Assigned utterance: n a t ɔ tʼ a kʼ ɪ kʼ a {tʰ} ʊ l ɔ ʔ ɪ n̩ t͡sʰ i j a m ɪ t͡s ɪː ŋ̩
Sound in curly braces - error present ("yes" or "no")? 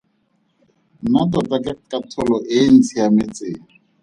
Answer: no